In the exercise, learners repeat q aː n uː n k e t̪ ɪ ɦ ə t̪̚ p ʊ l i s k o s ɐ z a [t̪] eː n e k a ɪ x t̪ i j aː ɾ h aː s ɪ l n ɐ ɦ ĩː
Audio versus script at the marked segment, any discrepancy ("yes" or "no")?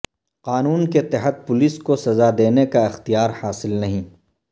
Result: yes